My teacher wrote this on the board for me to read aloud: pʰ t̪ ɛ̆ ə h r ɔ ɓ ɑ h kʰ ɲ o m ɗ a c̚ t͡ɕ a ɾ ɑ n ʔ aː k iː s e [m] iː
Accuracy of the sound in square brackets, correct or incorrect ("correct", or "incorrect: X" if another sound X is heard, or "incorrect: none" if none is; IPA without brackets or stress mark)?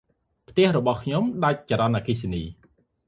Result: incorrect: n